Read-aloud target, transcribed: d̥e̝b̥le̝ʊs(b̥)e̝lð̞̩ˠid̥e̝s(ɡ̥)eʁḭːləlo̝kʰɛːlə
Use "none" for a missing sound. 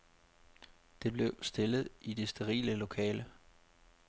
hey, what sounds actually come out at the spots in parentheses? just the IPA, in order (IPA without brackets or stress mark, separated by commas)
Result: d̥, d̥